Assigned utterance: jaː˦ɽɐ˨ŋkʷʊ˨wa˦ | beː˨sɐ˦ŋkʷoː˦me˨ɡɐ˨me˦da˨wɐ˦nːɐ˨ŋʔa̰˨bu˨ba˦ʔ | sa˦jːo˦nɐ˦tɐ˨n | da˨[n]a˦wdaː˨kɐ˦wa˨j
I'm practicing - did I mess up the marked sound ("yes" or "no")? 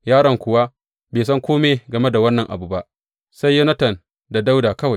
yes